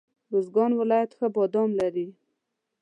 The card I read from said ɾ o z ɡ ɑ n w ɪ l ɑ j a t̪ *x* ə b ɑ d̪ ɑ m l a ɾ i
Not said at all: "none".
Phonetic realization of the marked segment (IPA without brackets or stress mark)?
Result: x